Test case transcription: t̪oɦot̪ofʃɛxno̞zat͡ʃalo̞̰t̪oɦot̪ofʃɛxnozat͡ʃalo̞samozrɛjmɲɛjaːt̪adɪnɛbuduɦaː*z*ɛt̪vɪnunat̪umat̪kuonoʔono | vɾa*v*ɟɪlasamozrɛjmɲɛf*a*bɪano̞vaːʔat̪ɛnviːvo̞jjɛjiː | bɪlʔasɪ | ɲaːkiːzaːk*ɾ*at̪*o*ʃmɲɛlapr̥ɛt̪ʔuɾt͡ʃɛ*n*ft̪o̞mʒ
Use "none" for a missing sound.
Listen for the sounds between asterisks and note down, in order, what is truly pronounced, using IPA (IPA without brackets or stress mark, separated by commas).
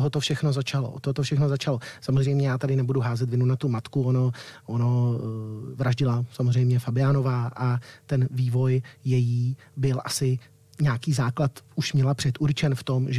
z, ʒ, a, l, u, n